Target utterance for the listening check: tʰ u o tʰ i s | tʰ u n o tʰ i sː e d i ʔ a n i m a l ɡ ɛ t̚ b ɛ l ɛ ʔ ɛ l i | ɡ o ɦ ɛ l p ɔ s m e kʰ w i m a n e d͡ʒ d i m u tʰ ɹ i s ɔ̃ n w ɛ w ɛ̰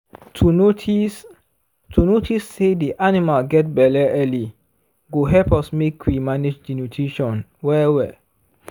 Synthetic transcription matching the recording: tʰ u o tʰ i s | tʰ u n o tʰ i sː e d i ʔ a n i m a l ɡ ɛ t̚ b ɛ l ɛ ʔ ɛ l i | ɡ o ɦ ɛ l p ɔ s m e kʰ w i m a n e d͡ʒ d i n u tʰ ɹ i ʃ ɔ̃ n w ɛ w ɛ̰